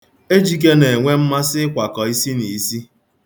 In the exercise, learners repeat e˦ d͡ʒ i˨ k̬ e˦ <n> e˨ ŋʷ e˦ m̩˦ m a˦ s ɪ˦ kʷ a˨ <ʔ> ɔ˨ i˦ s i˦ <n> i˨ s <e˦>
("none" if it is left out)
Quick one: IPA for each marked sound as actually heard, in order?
n, k, n, i˦

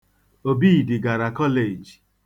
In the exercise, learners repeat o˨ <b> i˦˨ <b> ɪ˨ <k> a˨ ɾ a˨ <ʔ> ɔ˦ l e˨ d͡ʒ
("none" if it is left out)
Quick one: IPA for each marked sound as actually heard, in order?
b, d, ɡ, k

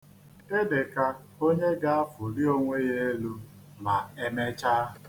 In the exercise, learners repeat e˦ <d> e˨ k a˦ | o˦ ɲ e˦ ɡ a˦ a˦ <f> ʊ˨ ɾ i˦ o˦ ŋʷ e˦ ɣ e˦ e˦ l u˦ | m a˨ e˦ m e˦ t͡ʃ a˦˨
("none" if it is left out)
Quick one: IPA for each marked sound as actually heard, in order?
d, f

